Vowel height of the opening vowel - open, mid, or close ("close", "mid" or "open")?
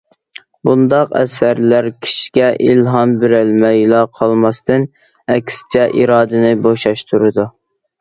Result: close